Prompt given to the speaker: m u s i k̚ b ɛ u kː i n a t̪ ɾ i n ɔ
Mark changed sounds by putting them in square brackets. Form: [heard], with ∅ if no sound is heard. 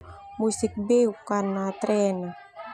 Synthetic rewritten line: m u s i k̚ b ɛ u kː [a] n a t̪ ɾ [ɛ] n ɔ